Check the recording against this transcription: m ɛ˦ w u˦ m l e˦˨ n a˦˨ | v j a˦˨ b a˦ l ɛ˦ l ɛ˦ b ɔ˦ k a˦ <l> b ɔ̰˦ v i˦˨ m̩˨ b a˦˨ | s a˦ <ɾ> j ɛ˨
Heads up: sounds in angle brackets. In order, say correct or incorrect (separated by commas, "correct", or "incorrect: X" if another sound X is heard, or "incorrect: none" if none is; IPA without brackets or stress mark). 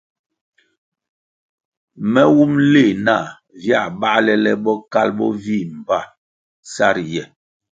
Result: correct, correct